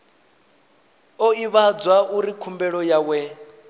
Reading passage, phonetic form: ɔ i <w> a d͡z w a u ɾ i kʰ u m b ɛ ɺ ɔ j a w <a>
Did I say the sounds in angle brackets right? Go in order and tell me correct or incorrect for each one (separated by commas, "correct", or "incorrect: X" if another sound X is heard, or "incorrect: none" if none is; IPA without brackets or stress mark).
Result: incorrect: β, incorrect: ɛ